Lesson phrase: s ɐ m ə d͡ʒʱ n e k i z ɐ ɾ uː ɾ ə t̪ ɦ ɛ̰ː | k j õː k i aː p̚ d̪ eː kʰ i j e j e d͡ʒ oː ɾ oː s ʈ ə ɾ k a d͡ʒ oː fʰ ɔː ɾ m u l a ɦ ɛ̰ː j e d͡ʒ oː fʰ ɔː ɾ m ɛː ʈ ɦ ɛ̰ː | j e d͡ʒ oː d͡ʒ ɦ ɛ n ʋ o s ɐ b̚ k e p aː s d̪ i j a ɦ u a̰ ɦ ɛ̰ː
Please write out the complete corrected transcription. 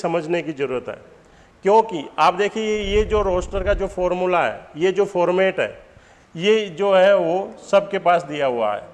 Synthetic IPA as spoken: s ɐ m ə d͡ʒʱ n e k i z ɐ ɾ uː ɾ ə t̪ ɦ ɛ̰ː | k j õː k i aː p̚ d̪ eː kʰ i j e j e d͡ʒ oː ɾ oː s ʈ ə ɾ k a d͡ʒ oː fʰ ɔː ɾ m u l a ɦ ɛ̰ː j e d͡ʒ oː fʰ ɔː ɾ m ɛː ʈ ɦ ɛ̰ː | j e d͡ʒ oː ɦ ɛ ʋ o s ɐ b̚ k e p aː s d̪ i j a ɦ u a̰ ɦ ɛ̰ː